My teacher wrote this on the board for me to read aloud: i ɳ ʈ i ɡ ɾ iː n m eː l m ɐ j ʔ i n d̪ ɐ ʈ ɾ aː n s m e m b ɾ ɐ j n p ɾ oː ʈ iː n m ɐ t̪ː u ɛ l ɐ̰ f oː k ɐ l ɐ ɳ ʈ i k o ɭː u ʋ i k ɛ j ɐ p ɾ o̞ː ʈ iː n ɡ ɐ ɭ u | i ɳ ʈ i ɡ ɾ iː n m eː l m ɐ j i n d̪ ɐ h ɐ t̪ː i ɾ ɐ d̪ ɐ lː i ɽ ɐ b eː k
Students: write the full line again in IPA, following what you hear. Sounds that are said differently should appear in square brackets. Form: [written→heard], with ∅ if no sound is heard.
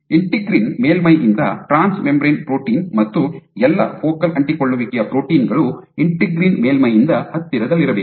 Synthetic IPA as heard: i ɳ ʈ i ɡ ɾ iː n m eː l m ɐ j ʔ i n d̪ ɐ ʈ ɾ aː n s m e m b ɾ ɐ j n p ɾ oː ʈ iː n m ɐ t̪ː u ɛ [l→lː] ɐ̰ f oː k ɐ l ɐ ɳ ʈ i k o ɭː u ʋ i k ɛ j ɐ p ɾ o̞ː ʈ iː n ɡ ɐ ɭ u | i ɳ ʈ i ɡ ɾ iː n m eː l m ɐ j i n d̪ ɐ h ɐ t̪ː i ɾ ɐ d̪ ɐ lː i [ɽ→ɾ] ɐ b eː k

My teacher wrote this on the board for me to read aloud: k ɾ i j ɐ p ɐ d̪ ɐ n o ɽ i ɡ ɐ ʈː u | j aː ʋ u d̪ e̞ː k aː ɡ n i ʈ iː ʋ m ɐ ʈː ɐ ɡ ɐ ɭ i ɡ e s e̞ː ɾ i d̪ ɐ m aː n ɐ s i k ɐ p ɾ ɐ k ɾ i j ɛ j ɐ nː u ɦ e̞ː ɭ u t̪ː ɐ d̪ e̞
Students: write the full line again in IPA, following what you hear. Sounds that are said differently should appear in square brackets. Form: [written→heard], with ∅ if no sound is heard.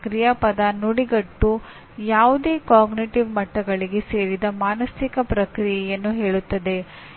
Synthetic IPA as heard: k ɾ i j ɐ p ɐ d̪ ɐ n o ɽ i ɡ ɐ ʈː u | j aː ʋ u d̪ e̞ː k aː ɡ n i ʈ [iː→i] ʋ m ɐ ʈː ɐ ɡ ɐ ɭ i ɡ e s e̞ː ɾ i d̪ ɐ m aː n ɐ s i k ɐ p ɾ ɐ k ɾ i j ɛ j ɐ nː u ɦ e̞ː ɭ u t̪ː ɐ d̪ e̞

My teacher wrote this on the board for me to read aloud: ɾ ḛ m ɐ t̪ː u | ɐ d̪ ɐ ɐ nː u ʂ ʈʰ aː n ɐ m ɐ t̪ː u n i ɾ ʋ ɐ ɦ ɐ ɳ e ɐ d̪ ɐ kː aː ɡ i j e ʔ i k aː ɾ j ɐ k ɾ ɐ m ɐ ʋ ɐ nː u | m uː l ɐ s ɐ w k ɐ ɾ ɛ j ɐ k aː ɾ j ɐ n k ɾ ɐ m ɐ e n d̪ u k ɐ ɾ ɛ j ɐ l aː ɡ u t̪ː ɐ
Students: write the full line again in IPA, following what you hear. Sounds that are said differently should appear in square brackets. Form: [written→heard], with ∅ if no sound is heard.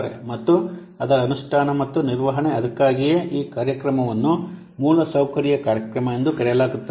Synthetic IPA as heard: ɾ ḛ m ɐ t̪ː u | ɐ d̪ ɐ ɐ [nː→n] u ʂ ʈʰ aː n ɐ m ɐ t̪ː u n i ɾ ʋ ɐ ɦ ɐ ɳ e ɐ d̪ ɐ kː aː ɡ i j e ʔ [i→iː] k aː ɾ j ɐ k ɾ ɐ m ɐ ʋ ɐ nː u | m uː l ɐ s ɐ w k ɐ ɾ [ɛ→i] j ɐ k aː ɾ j ɐ [n→∅] k ɾ ɐ m ɐ e n d̪ u k ɐ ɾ ɛ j ɐ l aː ɡ u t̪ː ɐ

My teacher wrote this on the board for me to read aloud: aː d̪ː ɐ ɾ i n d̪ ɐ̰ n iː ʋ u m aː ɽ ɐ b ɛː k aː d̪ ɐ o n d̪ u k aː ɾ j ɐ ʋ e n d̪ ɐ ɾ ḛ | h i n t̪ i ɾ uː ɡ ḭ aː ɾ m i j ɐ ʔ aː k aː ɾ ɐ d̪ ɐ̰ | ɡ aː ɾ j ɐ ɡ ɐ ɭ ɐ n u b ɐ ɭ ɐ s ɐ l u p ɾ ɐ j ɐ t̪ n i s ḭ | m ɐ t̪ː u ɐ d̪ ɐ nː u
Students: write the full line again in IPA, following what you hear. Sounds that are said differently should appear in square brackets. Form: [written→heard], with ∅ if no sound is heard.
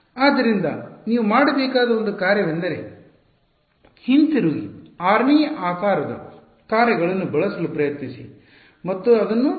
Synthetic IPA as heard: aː d̪ː ɐ ɾ i n d̪ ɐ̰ n iː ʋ u m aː ɽ ɐ b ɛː k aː d̪ ɐ o n d̪ u k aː ɾ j ɐ ʋ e n d̪ ɐ ɾ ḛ | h i n t̪ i ɾ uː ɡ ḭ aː ɾ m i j ɐ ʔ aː k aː ɾ ɐ d̪ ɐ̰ | [ɡ→k] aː ɾ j ɐ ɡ ɐ ɭ ɐ [n→nː] u b ɐ ɭ ɐ s ɐ l u p ɾ ɐ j ɐ t̪ n i s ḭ | m ɐ t̪ː u ɐ d̪ ɐ nː u

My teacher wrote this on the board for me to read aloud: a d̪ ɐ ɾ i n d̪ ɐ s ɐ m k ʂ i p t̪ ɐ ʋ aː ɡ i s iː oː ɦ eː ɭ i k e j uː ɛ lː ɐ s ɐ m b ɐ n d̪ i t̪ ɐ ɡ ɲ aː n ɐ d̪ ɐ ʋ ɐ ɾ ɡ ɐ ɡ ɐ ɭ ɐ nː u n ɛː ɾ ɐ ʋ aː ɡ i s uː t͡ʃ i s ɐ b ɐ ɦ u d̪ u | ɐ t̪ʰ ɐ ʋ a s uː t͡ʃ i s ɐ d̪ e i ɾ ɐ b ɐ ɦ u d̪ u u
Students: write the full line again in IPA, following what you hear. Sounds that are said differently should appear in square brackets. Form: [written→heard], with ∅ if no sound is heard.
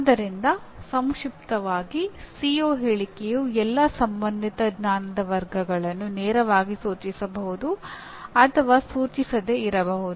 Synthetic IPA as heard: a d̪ ɐ ɾ i n d̪ ɐ s ɐ m k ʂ i p t̪ ɐ ʋ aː ɡ i s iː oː ɦ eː ɭ i k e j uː ɛ lː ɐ s ɐ m b ɐ n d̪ i t̪ ɐ ɡ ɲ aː n ɐ d̪ ɐ ʋ ɐ ɾ ɡ ɐ ɡ ɐ ɭ ɐ nː u n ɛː ɾ ɐ ʋ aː ɡ i s uː t͡ʃ i s ɐ b ɐ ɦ u d̪ u | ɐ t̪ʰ ɐ ʋ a s uː t͡ʃ i s ɐ d̪ e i ɾ ɐ b ɐ ɦ u d̪ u u

